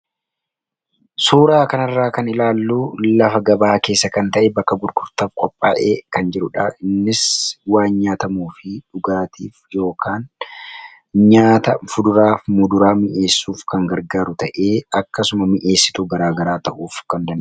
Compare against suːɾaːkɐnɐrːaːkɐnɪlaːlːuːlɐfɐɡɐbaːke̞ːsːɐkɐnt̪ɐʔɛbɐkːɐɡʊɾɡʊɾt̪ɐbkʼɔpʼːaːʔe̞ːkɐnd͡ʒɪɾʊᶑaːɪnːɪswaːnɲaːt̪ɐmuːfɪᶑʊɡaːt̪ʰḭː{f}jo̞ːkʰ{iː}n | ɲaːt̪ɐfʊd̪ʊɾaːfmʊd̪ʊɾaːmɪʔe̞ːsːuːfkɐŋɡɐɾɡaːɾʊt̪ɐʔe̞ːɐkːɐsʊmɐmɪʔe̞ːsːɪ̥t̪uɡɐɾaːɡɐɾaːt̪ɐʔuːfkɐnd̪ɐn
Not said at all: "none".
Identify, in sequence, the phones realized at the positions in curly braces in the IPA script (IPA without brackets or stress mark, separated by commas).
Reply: f, aː